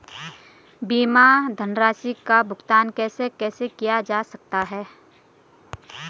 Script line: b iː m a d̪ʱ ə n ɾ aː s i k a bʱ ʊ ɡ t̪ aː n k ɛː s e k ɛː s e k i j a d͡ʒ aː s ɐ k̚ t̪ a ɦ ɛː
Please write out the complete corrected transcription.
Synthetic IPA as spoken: b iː m a d̪ʱ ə n ɾ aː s i k a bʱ ʊ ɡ t̪ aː n k ɛː s e k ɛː s e k i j a d͡ʒ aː s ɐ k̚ t̪ a ɦ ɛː